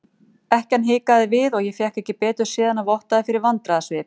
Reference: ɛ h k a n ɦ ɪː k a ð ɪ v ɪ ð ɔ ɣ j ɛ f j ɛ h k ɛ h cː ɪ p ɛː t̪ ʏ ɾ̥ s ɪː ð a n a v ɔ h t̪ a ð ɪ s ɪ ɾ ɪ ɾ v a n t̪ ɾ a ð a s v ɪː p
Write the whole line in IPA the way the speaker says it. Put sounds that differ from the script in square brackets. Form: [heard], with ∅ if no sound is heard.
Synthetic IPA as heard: ɛ h [c] a n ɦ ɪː k a ð ɪ v ɪ ð ɔ ɣ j ɛ f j ɛ h k ɛ h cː ɪ p ɛː t̪ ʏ ɾ̥ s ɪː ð a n a v ɔ h t̪ a ð ɪ [f] ɪ ɾ ɪ ɾ v a n t̪ ɾ a ð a s v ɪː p